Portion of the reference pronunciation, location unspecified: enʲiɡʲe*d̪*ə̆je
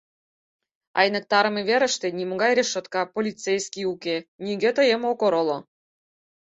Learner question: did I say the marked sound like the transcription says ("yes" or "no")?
no